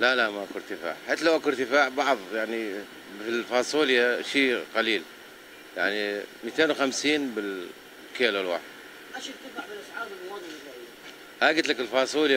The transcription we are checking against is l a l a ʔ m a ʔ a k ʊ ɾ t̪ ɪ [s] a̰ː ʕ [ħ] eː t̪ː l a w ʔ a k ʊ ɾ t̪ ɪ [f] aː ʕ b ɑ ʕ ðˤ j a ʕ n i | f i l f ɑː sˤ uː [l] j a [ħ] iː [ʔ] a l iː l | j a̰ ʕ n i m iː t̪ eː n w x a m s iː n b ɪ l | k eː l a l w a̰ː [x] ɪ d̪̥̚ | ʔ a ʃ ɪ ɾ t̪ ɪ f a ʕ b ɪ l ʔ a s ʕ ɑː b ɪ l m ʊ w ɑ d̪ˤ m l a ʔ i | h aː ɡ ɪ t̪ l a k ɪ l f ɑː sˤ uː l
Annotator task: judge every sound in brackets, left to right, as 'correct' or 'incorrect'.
incorrect: f, correct, correct, correct, incorrect: ʃ, incorrect: q, incorrect: ħ

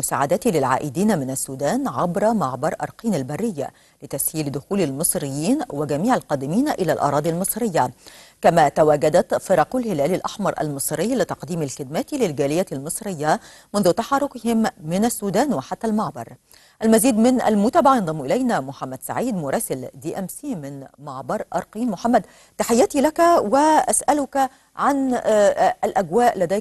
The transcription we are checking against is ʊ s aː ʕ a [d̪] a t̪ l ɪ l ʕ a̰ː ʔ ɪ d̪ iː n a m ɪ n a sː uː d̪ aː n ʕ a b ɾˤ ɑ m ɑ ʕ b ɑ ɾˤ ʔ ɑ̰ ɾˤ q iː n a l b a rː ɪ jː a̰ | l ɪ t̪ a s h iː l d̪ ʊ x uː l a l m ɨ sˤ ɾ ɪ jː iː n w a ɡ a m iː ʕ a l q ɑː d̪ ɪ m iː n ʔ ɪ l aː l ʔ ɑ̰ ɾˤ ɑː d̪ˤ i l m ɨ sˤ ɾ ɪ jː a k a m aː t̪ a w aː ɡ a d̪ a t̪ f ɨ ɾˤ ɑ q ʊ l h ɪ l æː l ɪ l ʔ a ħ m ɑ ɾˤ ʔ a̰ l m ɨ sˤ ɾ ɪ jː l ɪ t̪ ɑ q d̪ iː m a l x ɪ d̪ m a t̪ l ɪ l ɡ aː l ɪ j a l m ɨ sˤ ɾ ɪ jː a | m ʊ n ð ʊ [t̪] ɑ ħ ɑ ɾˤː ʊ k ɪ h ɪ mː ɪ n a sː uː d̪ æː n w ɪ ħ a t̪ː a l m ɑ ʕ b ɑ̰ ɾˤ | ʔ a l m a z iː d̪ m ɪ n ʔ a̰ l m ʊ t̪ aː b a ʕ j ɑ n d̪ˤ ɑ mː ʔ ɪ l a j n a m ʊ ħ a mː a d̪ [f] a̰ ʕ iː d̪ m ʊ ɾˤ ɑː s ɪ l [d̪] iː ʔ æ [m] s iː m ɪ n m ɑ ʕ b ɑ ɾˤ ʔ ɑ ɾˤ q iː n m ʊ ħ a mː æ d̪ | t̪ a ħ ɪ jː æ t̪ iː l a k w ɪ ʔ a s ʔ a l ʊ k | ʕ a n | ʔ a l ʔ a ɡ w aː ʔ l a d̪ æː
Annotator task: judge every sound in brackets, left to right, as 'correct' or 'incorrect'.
correct, correct, incorrect: s, correct, correct

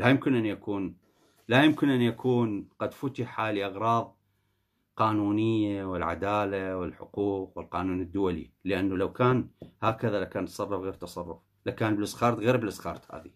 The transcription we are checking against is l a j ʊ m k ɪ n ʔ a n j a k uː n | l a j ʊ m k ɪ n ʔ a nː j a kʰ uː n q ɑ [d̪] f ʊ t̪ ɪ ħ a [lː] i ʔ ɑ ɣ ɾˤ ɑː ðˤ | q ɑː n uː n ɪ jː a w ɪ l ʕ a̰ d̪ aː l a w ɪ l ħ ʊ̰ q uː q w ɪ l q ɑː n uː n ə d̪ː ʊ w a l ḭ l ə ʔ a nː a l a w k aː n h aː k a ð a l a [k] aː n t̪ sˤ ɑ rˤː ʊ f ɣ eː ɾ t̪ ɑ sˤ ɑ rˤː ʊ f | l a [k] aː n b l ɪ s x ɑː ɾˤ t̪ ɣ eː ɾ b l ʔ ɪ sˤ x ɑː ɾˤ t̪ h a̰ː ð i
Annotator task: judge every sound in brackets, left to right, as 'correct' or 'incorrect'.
correct, incorrect: l, correct, correct

